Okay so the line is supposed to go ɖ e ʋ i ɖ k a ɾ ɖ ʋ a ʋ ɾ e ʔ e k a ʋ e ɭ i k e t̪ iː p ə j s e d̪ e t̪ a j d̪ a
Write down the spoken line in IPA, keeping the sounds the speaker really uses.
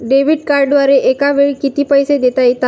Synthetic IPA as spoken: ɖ e ʋ i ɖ k a ɾ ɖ ʋ a ɾ e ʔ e k a ʋ e ɭ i k i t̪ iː p ə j s e d̪ e t̪ a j t̪ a